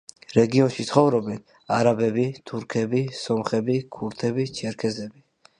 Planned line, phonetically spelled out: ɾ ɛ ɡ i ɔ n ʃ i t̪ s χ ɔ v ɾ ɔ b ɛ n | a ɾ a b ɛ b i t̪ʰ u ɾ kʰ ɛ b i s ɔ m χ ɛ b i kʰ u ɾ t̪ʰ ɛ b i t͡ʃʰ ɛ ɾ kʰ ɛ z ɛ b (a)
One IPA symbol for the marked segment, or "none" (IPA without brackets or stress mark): i